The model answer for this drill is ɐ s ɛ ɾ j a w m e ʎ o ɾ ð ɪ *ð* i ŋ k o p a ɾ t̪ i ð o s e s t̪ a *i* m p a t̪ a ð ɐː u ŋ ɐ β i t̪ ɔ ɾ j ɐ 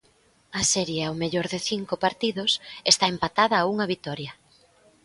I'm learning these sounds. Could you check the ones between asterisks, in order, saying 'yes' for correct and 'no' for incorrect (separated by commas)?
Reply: no, no